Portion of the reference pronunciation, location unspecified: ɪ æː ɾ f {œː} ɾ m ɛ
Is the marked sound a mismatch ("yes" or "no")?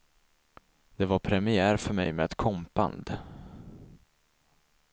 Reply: yes